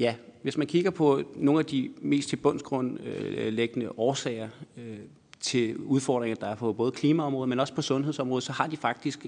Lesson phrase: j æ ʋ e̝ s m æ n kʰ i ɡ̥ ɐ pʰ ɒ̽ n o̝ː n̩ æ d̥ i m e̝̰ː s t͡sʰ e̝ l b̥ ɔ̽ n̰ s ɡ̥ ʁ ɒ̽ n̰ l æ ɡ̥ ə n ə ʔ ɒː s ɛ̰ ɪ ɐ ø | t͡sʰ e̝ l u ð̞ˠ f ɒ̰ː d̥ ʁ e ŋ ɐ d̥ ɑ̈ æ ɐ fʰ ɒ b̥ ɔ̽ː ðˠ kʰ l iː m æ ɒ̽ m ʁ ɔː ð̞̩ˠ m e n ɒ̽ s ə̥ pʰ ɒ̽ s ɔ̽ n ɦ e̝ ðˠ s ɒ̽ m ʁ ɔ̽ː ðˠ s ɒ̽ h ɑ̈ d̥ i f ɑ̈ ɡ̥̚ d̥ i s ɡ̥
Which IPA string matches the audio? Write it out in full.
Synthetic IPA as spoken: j æ ʋ e̝ s m æ n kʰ i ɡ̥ ɐ pʰ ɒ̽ n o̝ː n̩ æ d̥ i m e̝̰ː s t͡sʰ e̝ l b̥ ɔ̽ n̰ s ɡ̥ ʁ ɔ̽ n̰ l e ɡ̥ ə n ə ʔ ɒː s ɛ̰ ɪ ɐ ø | t͡sʰ e̝ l u ð̞ˠ f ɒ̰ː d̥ ʁ e ŋ ɐ d̥ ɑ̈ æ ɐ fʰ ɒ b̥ ɔ̽ː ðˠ kʰ l iː m æ ɒ̽ m ʁ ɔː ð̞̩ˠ m e n ɒ̽ s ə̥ pʰ ɒ̽ s ɔ̽ n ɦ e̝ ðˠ s ɒ̽ m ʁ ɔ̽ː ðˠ s ɒ̽ h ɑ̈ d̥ i f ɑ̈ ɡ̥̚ d̥ i s ɡ̥